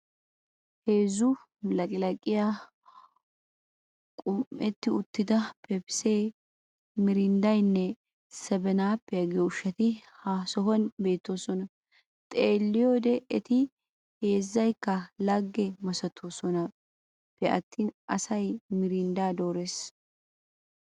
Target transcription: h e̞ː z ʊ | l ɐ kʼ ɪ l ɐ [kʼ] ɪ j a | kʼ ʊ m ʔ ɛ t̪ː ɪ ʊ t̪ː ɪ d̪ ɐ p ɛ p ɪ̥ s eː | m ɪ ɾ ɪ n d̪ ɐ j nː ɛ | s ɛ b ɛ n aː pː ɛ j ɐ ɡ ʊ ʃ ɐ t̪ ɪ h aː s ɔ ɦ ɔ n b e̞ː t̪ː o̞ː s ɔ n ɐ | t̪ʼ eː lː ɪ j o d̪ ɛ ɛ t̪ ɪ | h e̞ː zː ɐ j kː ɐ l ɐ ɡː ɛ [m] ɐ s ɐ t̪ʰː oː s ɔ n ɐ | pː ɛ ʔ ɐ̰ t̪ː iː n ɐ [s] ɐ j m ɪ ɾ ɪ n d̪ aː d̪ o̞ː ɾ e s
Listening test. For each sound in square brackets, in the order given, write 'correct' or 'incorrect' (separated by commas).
correct, correct, correct